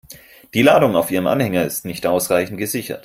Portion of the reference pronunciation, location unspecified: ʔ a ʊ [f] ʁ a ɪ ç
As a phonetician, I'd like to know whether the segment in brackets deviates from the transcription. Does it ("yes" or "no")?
yes